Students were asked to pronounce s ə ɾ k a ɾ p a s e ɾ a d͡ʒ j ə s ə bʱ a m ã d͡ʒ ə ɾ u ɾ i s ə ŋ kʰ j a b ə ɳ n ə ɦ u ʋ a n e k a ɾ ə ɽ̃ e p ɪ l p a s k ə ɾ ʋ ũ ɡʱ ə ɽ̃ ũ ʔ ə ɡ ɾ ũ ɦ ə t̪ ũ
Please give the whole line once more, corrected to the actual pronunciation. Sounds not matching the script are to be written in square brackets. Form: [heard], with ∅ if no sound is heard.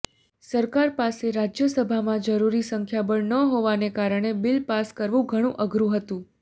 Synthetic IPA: s ə ɾ k a ɾ p a s e ɾ a d͡ʒ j ə s ə bʱ a m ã d͡ʒ ə ɾ u ɾ i s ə ŋ kʰ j a b ə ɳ n ə ɦ [o] ʋ a n e k a ɾ ə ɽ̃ e [b] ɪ l p a s k ə ɾ ʋ ũ ɡʱ ə ɽ̃ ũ ʔ ə ɡ ɾ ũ ɦ ə t̪ ũ